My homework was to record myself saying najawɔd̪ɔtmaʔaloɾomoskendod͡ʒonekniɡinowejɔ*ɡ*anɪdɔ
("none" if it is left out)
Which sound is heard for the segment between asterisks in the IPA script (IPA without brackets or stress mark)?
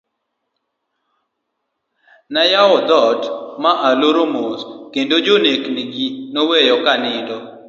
k